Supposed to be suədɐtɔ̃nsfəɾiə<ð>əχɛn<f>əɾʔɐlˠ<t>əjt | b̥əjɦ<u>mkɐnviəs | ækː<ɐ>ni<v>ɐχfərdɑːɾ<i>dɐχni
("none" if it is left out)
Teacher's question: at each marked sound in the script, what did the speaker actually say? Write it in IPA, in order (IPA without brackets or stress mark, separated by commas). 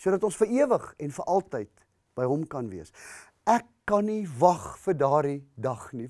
v, f, t, ɔ, ɐ, v, i